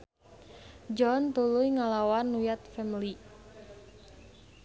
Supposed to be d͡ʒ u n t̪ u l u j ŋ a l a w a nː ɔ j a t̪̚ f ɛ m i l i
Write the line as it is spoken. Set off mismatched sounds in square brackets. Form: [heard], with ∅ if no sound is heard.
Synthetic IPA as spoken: d͡ʒ [ɔ] n t̪ u l u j ŋ a l a w a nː [u] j a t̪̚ f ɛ m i l i

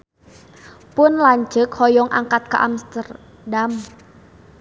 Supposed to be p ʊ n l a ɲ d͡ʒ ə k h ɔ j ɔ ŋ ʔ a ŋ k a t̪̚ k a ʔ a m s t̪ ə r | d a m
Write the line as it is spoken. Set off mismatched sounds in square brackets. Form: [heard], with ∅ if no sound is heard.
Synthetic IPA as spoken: p ʊ n l a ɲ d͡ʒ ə k h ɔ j ɔ ŋ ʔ a ŋ k a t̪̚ k a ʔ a m s t̪ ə r | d a m

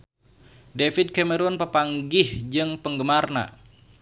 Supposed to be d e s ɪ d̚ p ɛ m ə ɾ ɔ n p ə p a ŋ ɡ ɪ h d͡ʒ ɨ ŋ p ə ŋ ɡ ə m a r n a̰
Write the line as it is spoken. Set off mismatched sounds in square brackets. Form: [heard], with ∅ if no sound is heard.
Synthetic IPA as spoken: d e [f] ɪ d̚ [k] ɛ m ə ɾ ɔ n p ə p a ŋ ɡ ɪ h d͡ʒ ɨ ŋ p ə ŋ ɡ ə m a r n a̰

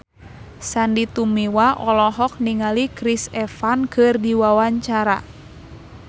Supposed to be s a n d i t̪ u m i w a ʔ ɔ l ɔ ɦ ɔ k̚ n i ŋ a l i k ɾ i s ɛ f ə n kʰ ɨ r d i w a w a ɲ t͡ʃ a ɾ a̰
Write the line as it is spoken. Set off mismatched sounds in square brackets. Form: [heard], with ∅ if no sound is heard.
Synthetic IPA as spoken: s a n d i t̪ u m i w a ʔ ɔ l ɔ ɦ ɔ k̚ n i ŋ a l i k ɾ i s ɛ f [a] n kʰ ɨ r d i w a w a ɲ t͡ʃ a ɾ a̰

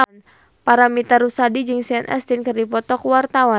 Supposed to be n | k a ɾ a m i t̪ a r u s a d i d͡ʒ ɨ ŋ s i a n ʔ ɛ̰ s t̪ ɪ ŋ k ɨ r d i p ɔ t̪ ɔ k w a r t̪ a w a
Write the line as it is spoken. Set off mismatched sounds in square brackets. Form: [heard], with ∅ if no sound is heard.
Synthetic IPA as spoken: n | [p] a ɾ a m i t̪ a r u s a d i d͡ʒ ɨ ŋ s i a n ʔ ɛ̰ s t̪ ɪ [n] k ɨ r d i p ɔ t̪ ɔ k w a r t̪ a w a

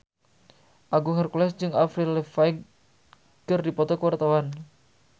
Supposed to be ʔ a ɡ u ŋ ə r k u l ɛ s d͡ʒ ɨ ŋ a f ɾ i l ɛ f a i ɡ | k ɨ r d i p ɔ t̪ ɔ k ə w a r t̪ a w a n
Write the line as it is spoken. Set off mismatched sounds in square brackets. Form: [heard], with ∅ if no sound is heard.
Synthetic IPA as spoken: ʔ a ɡ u ŋ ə r k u l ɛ s d͡ʒ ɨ ŋ a f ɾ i l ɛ f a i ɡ | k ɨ r d i p ɔ t̪ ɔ k ə w a r t̪ a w a n

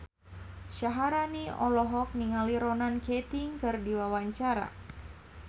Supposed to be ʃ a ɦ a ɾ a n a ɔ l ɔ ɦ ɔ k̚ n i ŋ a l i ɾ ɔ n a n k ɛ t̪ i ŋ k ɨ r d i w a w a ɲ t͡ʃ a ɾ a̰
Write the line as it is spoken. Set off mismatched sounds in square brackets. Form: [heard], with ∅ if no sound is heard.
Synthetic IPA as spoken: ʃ a ɦ a ɾ a n [i] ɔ l ɔ ɦ ɔ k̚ n i ŋ a l i ɾ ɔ n a n k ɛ t̪ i ŋ k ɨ r d i w a w a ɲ t͡ʃ a ɾ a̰

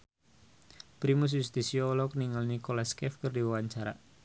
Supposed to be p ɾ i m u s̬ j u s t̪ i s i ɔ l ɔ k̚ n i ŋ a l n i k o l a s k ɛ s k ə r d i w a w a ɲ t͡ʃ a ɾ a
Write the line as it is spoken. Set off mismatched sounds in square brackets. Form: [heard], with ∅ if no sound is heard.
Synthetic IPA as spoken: p ɾ i m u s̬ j u s t̪ i s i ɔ l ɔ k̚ n i ŋ a l n i k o l a s k ɛ [f] k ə r d i w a w a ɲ t͡ʃ a ɾ a

